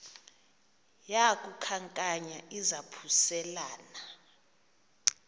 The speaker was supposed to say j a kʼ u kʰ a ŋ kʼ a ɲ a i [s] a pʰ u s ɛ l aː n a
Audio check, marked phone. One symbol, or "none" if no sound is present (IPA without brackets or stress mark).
z